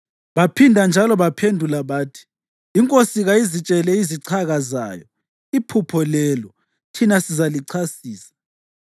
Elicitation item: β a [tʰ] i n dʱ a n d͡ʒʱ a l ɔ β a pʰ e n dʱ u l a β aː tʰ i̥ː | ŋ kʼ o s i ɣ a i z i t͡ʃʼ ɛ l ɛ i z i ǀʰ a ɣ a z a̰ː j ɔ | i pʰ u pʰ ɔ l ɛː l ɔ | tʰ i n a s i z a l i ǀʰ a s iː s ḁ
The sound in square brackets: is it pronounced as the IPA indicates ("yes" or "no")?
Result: no